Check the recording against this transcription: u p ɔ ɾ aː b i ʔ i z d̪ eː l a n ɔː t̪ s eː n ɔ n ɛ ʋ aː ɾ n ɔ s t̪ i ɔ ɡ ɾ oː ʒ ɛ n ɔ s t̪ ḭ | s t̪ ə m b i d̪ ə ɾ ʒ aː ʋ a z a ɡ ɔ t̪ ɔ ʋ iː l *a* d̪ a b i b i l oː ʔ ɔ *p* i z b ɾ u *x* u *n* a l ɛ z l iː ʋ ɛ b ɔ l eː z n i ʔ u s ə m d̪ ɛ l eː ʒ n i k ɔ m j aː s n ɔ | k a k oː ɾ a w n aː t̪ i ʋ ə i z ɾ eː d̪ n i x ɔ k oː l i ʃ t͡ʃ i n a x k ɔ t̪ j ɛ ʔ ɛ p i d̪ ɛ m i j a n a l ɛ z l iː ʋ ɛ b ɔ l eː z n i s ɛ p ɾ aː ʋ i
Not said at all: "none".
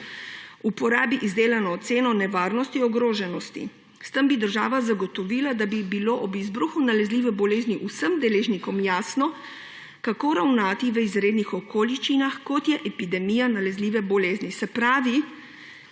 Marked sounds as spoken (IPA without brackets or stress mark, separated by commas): a, b, x, n